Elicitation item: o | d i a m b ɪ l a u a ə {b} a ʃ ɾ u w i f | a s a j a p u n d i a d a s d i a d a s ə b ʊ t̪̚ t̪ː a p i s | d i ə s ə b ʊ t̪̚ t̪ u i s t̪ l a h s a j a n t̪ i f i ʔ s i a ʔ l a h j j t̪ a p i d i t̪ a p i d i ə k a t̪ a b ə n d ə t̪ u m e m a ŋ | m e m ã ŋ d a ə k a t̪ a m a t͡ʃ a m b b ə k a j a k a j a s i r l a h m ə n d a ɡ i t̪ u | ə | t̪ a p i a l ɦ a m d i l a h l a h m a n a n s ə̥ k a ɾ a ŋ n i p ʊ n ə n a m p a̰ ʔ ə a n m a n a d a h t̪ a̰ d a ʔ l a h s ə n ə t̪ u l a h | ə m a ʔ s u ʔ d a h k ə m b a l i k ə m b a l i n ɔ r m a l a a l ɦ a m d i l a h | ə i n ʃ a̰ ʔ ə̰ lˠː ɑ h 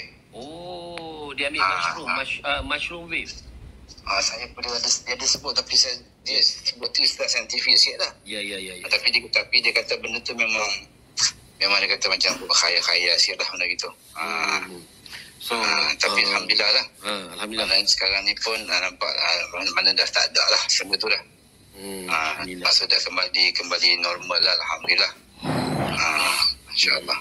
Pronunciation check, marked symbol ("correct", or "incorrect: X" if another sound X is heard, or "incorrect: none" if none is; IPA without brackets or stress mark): incorrect: m